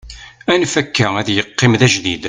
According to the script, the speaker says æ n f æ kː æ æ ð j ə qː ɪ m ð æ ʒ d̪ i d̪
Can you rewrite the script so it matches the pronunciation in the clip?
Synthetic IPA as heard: æ n f æ kː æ æ ð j ə qː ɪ m ð æ ʒ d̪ i d̪